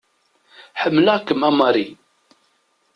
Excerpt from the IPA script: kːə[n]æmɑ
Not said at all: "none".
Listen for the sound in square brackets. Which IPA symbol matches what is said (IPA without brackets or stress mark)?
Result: m